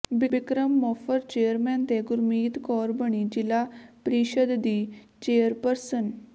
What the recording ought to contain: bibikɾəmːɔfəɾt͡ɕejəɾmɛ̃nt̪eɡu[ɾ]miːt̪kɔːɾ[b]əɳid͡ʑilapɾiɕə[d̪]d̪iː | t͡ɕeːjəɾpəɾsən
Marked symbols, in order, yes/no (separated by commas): yes, yes, yes